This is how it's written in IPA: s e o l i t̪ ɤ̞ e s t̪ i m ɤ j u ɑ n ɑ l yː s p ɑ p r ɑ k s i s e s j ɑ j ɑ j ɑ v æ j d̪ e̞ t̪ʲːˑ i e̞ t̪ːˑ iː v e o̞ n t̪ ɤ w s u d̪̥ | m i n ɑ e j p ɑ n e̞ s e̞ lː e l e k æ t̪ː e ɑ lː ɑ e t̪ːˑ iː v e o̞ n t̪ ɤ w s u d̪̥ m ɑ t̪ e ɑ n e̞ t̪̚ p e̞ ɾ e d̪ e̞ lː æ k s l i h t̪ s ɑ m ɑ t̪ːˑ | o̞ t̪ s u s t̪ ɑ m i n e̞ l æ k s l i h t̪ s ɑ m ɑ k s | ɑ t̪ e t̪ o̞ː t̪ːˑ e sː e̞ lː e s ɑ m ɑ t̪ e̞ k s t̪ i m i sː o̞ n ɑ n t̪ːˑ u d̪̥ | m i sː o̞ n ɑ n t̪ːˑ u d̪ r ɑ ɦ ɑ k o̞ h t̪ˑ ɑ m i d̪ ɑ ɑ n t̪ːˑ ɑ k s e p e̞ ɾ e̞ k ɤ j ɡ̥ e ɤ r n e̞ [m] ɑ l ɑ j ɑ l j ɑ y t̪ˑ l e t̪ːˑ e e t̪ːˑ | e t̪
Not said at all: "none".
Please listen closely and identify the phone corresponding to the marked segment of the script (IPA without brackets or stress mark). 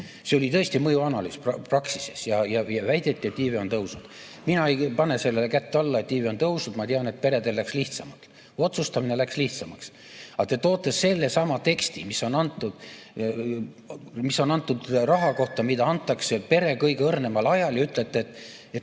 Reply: m